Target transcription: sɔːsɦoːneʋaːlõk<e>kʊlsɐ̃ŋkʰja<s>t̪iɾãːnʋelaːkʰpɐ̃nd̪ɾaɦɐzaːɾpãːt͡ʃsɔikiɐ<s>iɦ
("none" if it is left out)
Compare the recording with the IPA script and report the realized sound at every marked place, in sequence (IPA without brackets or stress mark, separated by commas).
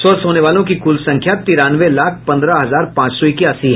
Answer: i, none, s